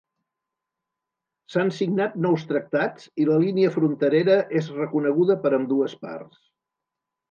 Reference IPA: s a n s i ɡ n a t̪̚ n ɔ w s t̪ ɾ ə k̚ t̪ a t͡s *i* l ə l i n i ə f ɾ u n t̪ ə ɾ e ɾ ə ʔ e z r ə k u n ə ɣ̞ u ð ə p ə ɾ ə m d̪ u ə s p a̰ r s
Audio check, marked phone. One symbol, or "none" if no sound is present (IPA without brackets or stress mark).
i